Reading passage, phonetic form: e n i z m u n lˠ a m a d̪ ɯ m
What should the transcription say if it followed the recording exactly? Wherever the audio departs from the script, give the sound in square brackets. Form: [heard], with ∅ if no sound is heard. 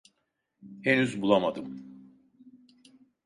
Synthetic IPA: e n [y] z [b] u [∅] lˠ a m a d̪ ɯ m